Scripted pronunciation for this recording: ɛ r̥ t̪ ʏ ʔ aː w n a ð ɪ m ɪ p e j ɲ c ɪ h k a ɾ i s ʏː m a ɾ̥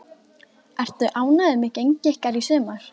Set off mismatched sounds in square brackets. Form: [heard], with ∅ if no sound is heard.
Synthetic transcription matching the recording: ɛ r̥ t̪ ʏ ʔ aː w n a ð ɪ m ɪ [c] e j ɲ c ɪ h k a ɾ i s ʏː m a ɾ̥